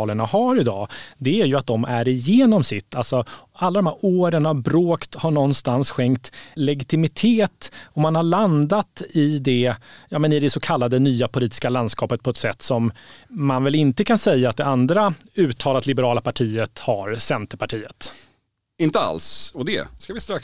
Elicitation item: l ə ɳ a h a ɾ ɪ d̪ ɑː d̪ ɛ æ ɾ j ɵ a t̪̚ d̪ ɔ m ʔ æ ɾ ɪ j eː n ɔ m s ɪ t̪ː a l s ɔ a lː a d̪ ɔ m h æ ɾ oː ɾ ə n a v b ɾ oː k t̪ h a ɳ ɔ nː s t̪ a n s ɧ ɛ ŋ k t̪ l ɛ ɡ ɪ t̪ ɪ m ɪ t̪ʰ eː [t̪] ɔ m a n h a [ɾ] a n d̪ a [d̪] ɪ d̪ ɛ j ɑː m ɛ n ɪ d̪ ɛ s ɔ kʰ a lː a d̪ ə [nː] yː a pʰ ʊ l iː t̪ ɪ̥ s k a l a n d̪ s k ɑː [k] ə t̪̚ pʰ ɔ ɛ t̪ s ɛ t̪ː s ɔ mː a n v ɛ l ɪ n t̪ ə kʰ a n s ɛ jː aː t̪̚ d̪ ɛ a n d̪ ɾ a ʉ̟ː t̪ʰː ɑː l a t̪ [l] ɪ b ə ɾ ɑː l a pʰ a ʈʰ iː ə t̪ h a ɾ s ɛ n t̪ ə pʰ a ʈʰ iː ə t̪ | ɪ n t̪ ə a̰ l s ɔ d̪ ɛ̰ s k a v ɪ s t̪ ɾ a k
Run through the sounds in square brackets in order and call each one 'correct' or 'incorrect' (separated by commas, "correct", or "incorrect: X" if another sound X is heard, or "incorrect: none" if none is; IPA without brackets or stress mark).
correct, incorrect: ɭ, incorrect: t̪, incorrect: n, incorrect: p, correct